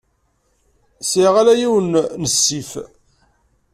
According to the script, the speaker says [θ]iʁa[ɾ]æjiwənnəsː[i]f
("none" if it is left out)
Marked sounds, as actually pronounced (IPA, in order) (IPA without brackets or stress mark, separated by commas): s, l, i